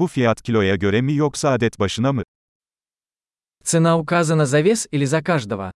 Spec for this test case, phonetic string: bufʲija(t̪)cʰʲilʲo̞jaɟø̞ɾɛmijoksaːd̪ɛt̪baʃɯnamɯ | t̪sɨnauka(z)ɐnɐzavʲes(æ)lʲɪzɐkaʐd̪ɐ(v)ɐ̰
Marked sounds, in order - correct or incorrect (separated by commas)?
correct, correct, incorrect, correct